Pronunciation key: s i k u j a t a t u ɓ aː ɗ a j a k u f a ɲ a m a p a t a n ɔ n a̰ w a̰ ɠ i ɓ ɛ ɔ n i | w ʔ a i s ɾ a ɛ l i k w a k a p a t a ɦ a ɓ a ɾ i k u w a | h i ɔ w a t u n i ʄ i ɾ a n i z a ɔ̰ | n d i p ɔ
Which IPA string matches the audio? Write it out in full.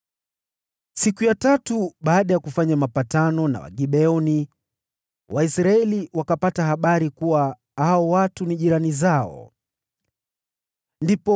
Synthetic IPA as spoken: s i k u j a t a t u ɓ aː ɗ a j a k u f a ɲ a m a p a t a n ɔ n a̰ w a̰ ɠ i ɓ ɛ ɔ n i | w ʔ a i s ɾ a ɛ l i w a k a p a t a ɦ a ɓ a ɾ i k u w a | h a ɔ w a t u n i ʄ i ɾ a n i z a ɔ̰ | n d i p ɔ